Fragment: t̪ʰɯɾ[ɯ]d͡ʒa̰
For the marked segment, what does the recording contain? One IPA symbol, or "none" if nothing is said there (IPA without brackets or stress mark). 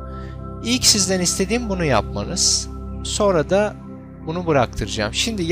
ɯ